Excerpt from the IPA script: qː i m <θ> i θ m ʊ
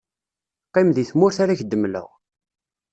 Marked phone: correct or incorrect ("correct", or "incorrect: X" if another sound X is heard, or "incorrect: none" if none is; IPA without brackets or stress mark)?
incorrect: ð